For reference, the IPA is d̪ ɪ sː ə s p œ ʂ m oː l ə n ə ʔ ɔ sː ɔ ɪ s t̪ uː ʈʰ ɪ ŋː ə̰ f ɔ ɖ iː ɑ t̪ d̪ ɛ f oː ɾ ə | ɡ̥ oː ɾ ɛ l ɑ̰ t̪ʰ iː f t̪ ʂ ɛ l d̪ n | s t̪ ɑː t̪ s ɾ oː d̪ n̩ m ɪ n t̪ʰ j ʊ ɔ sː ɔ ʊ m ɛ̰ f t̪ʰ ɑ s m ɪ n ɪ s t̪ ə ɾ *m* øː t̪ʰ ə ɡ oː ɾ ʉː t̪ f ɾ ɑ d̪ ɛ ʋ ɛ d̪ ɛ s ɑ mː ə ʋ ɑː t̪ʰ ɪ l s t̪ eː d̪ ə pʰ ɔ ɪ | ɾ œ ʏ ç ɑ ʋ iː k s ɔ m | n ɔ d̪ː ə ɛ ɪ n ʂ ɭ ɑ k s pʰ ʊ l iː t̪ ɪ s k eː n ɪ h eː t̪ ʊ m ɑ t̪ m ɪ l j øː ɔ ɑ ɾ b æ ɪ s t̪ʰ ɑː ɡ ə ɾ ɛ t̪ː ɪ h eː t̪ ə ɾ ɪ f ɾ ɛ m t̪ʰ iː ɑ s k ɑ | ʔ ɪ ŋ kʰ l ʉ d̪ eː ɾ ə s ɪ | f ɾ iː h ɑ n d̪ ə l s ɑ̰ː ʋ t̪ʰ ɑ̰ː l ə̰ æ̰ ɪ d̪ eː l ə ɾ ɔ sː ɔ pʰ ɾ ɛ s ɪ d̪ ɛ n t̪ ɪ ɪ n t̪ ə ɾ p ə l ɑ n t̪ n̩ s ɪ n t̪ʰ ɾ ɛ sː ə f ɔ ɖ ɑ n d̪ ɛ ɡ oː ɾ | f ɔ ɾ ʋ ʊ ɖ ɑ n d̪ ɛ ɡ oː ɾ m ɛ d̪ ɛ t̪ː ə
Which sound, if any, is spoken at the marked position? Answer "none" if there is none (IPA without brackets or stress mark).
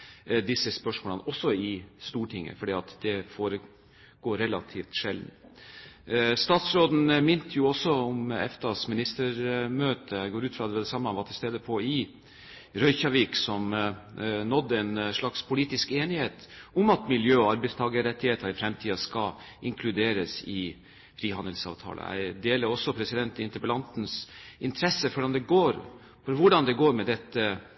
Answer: m